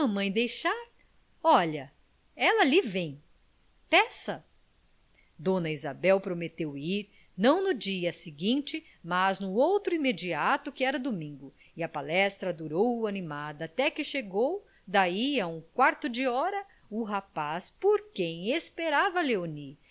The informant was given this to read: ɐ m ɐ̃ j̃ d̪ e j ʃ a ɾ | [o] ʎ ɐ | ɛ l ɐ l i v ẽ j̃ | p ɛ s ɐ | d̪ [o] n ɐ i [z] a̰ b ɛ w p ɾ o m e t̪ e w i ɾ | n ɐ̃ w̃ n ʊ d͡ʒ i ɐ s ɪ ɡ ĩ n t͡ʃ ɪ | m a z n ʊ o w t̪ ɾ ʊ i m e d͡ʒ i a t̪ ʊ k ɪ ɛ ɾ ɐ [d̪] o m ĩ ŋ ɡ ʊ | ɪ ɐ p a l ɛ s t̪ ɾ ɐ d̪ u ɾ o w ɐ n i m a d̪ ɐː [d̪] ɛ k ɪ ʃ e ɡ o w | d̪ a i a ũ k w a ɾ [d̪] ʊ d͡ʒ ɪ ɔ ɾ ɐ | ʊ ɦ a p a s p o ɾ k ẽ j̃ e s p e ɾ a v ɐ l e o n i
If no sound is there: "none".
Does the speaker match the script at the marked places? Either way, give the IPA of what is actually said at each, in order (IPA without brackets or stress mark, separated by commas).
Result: ɔ, õ, z, d̪, t̪, t̪